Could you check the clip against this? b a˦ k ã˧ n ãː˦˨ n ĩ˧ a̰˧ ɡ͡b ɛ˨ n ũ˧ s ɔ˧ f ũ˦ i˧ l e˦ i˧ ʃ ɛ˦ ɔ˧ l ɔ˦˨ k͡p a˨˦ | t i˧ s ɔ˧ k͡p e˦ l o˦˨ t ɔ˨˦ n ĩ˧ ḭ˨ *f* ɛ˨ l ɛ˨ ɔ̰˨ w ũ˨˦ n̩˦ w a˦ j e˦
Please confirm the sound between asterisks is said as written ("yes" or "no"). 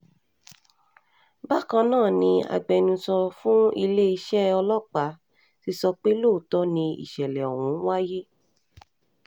no